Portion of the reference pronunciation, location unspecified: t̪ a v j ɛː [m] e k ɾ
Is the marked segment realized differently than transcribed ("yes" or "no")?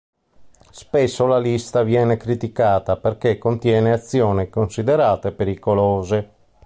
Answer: yes